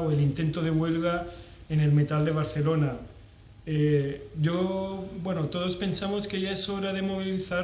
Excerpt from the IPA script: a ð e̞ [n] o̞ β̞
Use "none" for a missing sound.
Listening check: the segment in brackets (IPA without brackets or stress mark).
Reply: m